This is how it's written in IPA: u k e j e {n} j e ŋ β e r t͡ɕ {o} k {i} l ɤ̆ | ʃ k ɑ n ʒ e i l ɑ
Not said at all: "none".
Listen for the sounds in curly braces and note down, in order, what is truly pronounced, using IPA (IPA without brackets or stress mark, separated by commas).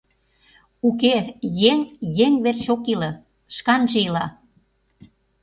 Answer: ŋ, o, i